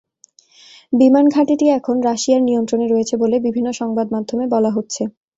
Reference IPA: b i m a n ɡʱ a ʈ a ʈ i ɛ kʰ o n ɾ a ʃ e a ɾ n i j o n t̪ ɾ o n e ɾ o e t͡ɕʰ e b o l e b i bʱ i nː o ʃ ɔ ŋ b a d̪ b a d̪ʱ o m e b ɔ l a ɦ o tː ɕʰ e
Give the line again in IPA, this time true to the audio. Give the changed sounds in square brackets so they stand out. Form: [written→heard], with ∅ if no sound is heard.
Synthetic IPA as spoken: b i m a n ɡʱ a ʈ [a→i] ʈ i ɛ kʰ o n ɾ a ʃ [e→i] a ɾ n i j o n t̪ ɾ o n e ɾ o e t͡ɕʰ e b o l e b i bʱ i nː o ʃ ɔ ŋ b a d̪ [b→m] a d̪ʱ o m e b ɔ l a ɦ o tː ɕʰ e